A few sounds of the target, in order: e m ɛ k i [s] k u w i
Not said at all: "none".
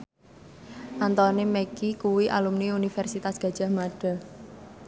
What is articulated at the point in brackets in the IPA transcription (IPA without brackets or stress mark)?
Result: none